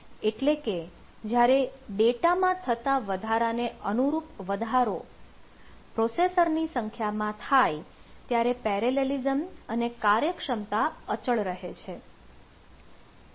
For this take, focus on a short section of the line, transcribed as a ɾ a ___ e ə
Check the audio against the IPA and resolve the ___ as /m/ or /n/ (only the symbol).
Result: n